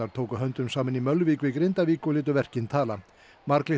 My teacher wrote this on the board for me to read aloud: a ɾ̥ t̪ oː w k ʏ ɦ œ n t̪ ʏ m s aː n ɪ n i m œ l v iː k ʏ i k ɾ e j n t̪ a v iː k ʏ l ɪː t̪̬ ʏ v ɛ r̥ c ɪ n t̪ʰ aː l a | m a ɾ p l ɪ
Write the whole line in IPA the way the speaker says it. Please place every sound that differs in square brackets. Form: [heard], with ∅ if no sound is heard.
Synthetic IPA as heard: a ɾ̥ [t̪ʰ] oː w k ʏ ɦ œ n t̪ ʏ m s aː [m] ɪ n i m œ l v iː k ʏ i k ɾ e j n t̪ a v iː k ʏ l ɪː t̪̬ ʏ v ɛ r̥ c ɪ n t̪ʰ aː l a | m a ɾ [k] l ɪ